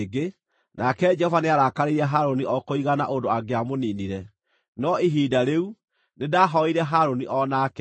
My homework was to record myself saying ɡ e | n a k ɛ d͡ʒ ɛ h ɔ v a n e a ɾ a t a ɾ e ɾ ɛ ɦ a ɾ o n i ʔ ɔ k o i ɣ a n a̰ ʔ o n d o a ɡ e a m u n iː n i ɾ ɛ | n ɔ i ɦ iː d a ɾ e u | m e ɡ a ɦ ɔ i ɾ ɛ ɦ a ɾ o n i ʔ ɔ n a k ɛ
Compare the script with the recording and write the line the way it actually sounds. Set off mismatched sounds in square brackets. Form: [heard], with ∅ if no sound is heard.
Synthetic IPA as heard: ɡ e | n a k ɛ d͡ʒ ɛ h ɔ v a n e a ɾ a [k] a ɾ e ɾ ɛ ɦ a ɾ o n i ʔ ɔ k o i ɣ a n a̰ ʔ o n d o a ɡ e a m [o] n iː n i ɾ ɛ | n ɔ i ɦ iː d a ɾ e u | [n] e [d] a ɦ ɔ i ɾ ɛ ɦ a ɾ o n i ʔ ɔ n a k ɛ